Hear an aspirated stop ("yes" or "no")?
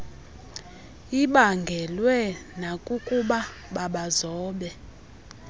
no